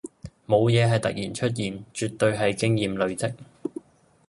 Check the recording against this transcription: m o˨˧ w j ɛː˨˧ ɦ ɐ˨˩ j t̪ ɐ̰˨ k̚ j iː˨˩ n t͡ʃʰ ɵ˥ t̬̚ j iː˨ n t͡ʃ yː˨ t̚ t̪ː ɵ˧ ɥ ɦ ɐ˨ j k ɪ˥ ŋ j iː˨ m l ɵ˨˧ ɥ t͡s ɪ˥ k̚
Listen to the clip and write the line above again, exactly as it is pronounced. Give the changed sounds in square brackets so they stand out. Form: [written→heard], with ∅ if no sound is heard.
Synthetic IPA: m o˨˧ w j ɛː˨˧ ɦ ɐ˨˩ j t̪ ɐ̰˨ k̚ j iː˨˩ n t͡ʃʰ ɵ˥ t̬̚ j iː˨ n t͡ʃ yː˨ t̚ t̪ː ɵ˧ ɥ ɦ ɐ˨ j k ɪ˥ ŋ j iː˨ m l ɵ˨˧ ɥ t͡s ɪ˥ k̚